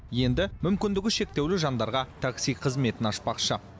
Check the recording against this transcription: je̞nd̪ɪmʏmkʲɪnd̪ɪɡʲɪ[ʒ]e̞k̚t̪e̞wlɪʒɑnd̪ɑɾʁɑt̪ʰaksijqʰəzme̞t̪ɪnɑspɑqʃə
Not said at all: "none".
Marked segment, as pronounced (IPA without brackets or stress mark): ʃ